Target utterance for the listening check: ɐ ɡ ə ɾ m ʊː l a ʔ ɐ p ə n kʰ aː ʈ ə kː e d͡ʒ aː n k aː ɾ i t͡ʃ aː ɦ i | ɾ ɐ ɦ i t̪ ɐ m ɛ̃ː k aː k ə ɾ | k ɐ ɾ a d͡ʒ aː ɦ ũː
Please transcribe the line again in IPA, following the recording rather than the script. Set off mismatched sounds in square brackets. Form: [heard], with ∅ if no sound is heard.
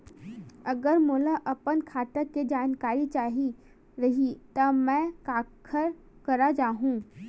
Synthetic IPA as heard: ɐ ɡ ə ɾ m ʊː l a ʔ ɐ p ə n kʰ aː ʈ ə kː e d͡ʒ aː n k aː ɾ i t͡ʃ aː ɦ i | ɾ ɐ ɦ i t̪ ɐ m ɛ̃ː k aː [kʰ] ə ɾ | k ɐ ɾ a d͡ʒ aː ɦ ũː